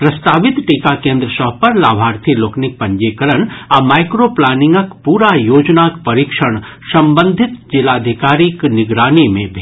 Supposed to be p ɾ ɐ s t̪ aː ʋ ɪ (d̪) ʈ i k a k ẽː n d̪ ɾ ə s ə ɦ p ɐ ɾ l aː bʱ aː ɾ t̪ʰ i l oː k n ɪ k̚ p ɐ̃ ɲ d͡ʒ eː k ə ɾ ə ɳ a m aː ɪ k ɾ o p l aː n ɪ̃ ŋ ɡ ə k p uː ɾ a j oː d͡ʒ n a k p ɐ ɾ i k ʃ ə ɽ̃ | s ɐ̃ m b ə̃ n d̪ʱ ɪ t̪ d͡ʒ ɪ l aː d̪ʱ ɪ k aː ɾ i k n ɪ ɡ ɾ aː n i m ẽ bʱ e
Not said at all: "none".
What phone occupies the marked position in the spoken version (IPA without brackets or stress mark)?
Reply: t̪